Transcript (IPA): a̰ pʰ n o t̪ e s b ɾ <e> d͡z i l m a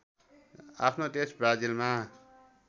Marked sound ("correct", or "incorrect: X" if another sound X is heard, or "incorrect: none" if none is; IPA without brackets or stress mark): incorrect: a